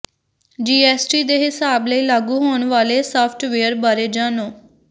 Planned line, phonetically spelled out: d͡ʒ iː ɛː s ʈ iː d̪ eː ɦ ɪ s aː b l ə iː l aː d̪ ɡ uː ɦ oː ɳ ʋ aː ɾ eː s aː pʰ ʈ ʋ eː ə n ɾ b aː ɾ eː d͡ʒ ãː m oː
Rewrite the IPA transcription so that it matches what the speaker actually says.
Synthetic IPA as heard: d͡ʒ iː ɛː s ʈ iː d̪ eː ɦ ɪ s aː b l ə iː l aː ɡ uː ɦ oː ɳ ʋ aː l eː s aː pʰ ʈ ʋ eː ə ɾ b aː ɾ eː d͡ʒ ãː n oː

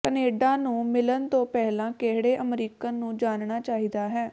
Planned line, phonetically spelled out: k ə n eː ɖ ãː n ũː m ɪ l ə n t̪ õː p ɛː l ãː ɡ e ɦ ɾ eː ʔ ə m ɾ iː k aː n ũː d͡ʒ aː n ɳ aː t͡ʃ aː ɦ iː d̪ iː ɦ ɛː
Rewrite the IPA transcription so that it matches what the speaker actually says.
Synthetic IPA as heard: k ə n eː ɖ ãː n ũː m ɪ l ə n t̪ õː p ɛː l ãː k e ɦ ɽ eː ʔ ə m ɾ iː k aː n ũː d͡ʒ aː n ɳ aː t͡ʃ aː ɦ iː d̪ aː ɦ ɛː

